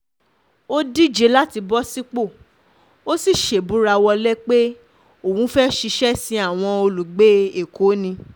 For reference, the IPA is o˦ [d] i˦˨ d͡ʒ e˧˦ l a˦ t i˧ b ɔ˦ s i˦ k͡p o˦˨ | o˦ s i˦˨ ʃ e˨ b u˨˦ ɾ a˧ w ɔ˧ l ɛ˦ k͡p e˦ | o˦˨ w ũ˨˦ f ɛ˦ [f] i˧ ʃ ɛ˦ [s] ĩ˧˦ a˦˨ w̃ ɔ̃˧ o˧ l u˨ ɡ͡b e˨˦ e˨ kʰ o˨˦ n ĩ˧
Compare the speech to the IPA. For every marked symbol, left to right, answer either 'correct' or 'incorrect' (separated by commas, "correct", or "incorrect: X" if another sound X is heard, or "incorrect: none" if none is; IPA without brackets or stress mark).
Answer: correct, incorrect: ʃ, correct